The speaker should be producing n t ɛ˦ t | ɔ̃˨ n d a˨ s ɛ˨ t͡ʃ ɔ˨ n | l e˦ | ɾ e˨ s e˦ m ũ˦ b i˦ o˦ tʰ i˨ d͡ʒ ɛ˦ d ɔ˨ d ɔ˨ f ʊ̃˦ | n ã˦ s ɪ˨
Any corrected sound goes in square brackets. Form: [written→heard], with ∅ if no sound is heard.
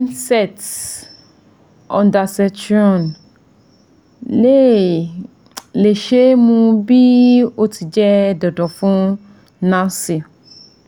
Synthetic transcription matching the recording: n [t→s] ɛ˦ t | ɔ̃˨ n d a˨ s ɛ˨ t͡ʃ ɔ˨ n | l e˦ | [ɾ→l] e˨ [s→ʃ] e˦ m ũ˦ b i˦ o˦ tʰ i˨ d͡ʒ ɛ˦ d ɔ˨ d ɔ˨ f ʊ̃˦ | n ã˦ s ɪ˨